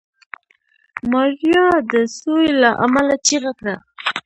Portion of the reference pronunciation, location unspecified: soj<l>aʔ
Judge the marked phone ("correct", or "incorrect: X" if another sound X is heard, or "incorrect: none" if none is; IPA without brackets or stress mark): correct